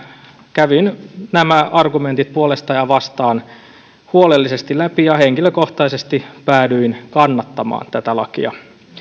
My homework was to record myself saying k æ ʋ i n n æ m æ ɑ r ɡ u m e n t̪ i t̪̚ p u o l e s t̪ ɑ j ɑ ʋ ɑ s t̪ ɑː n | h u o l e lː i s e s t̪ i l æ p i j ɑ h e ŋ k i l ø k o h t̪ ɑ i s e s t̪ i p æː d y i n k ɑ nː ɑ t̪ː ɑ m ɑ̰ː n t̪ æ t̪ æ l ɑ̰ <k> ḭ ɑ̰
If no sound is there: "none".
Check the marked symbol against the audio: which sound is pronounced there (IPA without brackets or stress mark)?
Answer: k